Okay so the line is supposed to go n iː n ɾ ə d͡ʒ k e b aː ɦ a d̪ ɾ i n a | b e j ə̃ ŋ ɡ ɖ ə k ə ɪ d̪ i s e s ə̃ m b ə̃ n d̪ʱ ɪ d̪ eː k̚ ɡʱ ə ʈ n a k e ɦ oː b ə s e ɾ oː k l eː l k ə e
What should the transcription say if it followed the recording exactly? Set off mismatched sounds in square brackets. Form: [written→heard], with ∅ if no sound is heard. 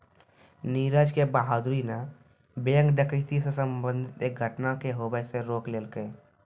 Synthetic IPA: n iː [n→∅] ɾ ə d͡ʒ k e b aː ɦ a d̪ ɾ i n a | b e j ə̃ ŋ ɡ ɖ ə k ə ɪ [d̪→t̪] i s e s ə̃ m b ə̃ n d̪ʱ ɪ [d̪→t̪] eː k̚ ɡʱ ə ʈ n a k e ɦ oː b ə s e ɾ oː k l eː l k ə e